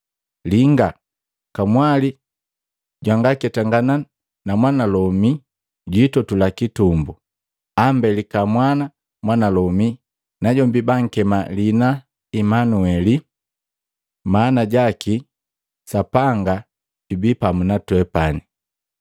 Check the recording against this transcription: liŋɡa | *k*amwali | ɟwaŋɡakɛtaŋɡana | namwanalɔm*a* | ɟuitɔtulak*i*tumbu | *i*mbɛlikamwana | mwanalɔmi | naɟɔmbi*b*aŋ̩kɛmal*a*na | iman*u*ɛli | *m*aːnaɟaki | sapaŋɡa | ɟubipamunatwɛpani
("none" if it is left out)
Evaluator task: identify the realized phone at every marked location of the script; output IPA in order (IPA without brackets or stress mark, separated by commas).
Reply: k, i, i, a, b, i, u, m